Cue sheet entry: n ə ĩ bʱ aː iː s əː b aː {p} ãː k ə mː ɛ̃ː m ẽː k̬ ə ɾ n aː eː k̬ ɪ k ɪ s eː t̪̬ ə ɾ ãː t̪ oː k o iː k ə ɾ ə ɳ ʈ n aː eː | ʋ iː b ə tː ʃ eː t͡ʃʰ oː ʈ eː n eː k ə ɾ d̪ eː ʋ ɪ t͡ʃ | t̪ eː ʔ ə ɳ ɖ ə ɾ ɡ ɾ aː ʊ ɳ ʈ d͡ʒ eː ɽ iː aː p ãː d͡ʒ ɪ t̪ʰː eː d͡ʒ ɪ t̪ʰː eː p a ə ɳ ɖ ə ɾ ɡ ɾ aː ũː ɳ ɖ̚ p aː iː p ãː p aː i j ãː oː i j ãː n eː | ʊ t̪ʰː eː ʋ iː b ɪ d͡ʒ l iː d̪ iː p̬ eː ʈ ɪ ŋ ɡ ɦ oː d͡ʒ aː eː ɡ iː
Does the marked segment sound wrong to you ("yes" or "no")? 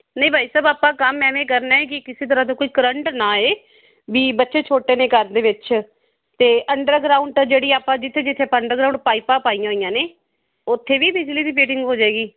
no